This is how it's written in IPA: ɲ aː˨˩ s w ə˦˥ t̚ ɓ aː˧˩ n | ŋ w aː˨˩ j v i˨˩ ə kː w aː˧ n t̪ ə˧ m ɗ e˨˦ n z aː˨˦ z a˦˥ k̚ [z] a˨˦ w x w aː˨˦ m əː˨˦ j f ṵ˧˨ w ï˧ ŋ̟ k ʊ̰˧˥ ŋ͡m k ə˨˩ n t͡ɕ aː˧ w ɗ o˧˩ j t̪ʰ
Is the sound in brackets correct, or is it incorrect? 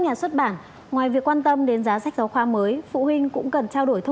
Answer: correct